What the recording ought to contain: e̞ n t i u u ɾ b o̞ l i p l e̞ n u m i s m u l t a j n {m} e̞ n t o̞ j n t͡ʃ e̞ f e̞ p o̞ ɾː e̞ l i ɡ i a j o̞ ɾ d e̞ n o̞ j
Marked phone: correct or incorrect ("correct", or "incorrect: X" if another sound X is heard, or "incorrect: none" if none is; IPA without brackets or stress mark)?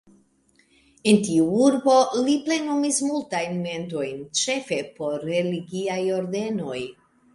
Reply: correct